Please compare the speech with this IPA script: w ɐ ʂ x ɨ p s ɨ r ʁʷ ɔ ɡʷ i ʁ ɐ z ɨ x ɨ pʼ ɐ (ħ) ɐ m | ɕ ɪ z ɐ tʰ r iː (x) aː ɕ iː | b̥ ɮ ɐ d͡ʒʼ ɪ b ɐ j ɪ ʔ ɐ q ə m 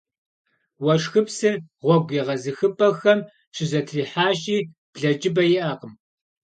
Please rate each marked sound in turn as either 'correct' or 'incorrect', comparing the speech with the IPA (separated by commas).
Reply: incorrect, incorrect